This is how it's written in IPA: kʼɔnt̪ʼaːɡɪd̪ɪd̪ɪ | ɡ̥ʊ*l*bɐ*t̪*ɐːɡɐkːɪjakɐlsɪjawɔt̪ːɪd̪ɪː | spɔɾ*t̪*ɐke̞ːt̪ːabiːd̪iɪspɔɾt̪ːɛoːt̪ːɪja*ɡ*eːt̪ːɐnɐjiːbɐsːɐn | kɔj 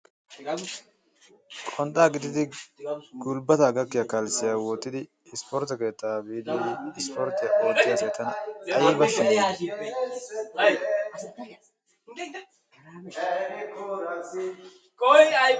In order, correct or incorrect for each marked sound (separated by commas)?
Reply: correct, correct, correct, incorrect